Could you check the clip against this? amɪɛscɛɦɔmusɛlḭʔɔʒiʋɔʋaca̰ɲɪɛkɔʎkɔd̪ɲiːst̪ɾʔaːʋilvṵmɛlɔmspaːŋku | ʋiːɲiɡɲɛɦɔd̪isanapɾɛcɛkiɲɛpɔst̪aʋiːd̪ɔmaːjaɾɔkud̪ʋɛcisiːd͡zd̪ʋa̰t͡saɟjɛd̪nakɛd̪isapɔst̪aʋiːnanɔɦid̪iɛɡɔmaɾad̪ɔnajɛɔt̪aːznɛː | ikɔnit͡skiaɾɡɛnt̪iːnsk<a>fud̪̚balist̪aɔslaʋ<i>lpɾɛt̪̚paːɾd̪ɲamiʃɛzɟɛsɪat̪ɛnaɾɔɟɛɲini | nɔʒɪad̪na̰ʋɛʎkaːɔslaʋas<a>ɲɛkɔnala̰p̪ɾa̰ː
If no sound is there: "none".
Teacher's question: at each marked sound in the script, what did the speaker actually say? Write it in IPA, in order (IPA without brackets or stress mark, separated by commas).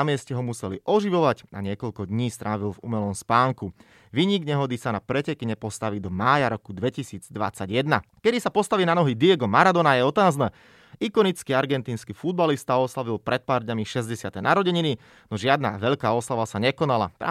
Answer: i, i, a